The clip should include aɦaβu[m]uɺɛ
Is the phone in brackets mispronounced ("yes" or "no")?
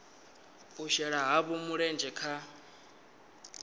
no